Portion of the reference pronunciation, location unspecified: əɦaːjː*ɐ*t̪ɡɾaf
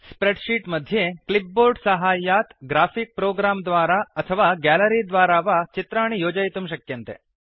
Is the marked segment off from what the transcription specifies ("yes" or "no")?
yes